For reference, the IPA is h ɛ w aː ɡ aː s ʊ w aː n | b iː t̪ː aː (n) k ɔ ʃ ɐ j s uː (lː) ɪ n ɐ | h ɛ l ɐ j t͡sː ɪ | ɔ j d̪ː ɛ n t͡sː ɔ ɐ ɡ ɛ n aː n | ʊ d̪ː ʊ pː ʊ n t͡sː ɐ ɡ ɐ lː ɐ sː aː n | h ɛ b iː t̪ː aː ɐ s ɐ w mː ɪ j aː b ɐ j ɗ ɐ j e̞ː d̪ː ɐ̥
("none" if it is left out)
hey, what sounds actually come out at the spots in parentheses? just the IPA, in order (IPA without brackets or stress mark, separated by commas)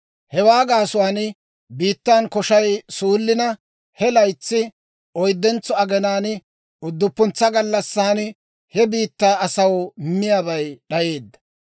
n, lː